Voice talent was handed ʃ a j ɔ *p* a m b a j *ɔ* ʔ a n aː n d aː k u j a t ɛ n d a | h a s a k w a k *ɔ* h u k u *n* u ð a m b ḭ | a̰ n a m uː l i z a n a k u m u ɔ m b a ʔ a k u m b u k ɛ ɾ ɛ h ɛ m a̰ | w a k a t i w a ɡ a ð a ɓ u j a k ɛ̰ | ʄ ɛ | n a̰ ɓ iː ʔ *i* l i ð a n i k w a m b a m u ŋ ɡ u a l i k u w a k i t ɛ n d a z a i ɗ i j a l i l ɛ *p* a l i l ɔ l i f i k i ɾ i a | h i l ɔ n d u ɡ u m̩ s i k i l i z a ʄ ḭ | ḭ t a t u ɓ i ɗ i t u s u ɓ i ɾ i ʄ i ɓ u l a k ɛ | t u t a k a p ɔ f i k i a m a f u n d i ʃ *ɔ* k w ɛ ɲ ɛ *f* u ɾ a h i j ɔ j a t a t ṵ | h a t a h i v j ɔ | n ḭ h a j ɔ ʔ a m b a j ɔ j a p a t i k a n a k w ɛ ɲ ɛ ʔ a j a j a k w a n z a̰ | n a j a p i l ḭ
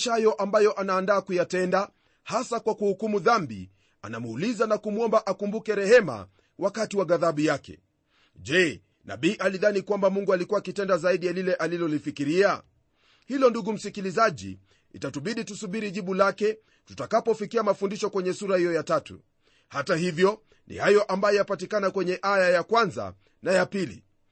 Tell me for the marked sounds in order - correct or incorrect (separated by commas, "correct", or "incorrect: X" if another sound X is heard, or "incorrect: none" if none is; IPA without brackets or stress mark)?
incorrect: ʔ, correct, incorrect: u, incorrect: m, incorrect: a, incorrect: ʔ, correct, incorrect: s